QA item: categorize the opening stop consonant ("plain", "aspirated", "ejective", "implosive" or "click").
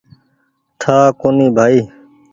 aspirated